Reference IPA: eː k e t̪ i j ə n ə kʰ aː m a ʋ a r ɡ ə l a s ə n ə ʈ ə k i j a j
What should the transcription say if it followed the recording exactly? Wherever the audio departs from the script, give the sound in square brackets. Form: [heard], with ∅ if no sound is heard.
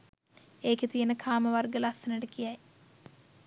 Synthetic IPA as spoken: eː k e t̪ i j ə n ə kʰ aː m [ə] ʋ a r ɡ ə l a s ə n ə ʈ ə k i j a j